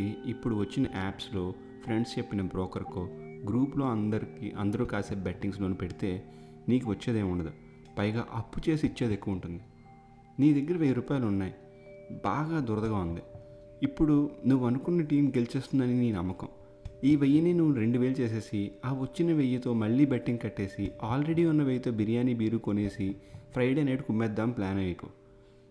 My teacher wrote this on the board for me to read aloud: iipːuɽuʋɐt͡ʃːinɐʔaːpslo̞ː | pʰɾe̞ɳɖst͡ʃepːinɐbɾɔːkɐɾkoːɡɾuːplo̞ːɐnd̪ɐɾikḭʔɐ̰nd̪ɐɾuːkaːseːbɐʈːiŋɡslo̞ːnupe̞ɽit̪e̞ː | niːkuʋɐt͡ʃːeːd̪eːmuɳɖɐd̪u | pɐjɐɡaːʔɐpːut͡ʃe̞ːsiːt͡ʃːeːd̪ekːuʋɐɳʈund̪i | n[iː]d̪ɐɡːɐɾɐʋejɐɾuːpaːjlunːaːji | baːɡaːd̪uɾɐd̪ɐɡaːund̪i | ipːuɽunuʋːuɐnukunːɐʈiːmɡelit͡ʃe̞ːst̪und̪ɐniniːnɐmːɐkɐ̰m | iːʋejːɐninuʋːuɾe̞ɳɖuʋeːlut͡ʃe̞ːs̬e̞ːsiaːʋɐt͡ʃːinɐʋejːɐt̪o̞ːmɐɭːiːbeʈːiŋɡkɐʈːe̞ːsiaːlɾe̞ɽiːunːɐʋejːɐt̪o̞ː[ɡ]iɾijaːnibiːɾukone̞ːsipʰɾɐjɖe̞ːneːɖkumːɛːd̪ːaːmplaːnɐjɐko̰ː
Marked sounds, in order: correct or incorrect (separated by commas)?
correct, incorrect